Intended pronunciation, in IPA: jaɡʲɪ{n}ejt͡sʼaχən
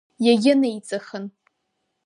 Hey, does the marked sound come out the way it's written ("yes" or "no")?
yes